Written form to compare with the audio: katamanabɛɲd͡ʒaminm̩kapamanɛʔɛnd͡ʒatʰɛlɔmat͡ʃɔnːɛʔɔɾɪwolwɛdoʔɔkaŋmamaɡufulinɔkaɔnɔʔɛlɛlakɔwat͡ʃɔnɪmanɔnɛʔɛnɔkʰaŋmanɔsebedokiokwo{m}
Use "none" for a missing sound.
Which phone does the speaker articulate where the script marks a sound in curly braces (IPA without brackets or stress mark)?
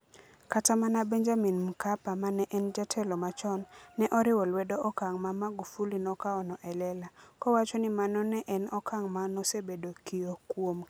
m